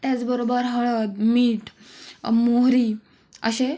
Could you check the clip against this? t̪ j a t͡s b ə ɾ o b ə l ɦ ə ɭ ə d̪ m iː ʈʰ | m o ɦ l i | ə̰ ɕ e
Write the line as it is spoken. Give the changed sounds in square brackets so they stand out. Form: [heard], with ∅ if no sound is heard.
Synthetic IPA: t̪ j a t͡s b ə ɾ o b ə [ɾ] ɦ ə ɭ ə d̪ m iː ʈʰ | m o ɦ [ɾ] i | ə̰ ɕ e